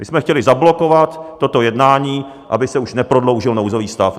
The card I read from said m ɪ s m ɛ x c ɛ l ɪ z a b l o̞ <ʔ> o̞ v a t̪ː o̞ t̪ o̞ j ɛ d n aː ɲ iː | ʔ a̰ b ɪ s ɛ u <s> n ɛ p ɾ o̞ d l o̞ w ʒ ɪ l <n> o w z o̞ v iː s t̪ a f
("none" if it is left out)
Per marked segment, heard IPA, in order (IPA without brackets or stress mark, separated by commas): k, ʃ, n